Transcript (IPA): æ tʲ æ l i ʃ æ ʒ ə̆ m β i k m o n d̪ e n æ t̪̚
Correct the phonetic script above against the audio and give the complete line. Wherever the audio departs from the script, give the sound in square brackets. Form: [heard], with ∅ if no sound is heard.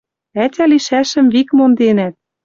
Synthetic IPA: æ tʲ æ l i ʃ æ [ʃ] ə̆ m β i k m o n d̪ e n æ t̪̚